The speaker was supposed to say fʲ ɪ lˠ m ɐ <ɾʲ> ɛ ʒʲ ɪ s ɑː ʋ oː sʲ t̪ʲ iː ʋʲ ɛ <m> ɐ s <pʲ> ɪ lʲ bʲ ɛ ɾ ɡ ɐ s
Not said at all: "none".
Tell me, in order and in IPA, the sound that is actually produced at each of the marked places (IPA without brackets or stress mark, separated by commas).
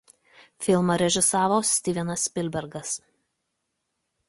ɾʲ, n, pʲ